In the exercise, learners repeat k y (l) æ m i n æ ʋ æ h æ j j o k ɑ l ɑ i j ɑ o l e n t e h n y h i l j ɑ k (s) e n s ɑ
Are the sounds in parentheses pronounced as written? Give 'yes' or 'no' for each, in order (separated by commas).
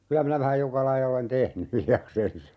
yes, yes